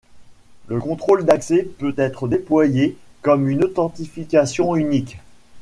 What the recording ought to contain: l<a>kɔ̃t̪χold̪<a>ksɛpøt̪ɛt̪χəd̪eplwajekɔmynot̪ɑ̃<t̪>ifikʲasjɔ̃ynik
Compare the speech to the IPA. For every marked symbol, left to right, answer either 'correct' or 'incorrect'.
incorrect: ə, correct, correct

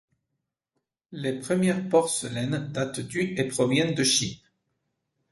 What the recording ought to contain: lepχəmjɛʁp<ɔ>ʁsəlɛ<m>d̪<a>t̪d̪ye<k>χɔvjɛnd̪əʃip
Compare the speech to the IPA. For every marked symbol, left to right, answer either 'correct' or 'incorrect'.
correct, incorrect: n, correct, incorrect: p

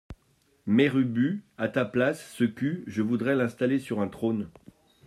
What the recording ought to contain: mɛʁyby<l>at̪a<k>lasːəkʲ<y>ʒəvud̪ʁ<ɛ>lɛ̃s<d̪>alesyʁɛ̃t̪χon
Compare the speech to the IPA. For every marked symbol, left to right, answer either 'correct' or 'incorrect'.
incorrect: none, incorrect: p, correct, correct, incorrect: t̪

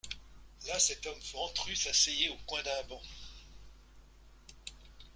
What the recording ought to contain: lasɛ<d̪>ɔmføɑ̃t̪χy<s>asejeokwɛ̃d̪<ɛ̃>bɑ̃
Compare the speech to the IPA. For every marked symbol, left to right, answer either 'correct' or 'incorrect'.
incorrect: t̪, correct, correct

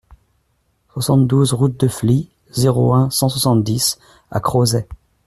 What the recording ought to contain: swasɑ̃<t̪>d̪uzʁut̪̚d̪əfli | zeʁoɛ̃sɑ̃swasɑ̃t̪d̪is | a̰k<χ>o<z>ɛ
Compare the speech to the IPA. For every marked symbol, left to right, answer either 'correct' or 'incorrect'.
correct, correct, correct

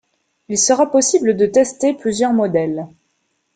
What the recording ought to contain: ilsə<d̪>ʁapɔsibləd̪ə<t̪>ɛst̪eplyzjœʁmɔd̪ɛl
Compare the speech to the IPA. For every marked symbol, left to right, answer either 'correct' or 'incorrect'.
incorrect: none, correct

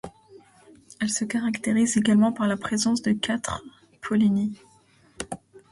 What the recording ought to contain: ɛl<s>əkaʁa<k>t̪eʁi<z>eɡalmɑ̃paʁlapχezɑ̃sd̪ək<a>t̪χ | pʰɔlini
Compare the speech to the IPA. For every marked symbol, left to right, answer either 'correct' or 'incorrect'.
correct, correct, correct, correct

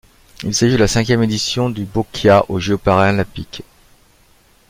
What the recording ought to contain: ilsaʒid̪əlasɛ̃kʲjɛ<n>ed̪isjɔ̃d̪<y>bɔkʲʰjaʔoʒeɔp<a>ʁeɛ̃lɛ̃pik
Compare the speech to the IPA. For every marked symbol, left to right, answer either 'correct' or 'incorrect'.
incorrect: m, correct, correct

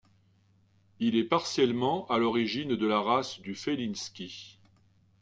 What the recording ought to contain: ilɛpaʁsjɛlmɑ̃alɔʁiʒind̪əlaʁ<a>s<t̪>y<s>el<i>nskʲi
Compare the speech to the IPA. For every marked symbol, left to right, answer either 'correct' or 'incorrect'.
correct, incorrect: d̪, incorrect: f, correct

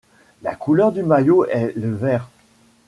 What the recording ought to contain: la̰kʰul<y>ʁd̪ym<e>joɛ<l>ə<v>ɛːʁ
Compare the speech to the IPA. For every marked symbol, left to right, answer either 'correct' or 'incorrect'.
incorrect: œ, incorrect: a, correct, correct

